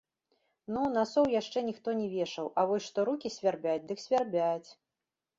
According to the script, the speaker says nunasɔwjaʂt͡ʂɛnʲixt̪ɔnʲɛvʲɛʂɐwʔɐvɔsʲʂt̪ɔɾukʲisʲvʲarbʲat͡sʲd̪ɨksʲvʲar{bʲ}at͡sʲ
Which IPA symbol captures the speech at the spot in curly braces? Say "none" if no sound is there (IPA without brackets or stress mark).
bʲ